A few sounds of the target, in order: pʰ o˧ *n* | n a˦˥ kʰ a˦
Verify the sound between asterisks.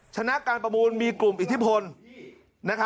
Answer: correct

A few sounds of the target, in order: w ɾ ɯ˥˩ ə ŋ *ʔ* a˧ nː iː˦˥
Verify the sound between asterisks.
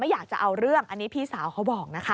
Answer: correct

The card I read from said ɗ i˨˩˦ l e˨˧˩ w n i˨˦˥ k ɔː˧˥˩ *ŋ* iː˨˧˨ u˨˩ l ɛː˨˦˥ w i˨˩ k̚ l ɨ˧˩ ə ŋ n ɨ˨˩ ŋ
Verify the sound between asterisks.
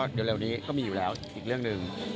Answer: incorrect: m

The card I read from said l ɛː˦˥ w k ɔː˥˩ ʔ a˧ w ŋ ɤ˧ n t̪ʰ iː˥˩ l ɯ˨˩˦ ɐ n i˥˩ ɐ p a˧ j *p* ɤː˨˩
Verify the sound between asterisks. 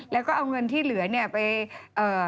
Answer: incorrect: ʔ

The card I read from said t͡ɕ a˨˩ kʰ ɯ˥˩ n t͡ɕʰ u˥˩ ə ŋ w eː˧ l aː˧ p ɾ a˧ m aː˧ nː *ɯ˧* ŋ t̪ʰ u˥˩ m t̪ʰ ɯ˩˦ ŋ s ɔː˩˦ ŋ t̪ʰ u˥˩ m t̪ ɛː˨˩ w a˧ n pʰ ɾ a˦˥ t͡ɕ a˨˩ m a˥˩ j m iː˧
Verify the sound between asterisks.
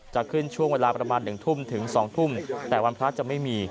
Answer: incorrect: ɯ˨˩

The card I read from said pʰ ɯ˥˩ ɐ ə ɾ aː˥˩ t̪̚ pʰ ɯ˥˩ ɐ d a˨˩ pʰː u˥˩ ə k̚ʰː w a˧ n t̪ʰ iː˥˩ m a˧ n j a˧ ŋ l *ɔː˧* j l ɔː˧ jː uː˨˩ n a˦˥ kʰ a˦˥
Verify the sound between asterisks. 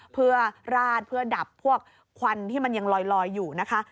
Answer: correct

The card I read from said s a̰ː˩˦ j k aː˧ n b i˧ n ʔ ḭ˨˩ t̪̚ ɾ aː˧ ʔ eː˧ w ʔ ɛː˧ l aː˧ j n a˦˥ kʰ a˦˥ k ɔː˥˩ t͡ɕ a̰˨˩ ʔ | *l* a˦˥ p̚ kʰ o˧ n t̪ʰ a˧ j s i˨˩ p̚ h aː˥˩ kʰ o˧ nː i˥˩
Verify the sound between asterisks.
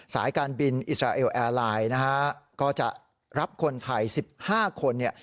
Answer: incorrect: ɾ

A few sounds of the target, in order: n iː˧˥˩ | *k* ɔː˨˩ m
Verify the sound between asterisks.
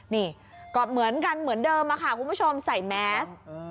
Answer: correct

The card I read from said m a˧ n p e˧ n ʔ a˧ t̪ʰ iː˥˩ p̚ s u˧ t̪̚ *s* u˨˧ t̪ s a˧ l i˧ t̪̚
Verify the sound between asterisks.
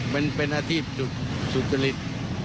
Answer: correct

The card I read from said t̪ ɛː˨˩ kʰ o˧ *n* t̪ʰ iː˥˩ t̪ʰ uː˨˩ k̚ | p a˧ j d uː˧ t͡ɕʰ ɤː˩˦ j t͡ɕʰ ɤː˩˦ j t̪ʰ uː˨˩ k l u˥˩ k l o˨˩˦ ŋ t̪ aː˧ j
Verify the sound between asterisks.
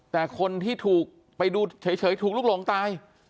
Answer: correct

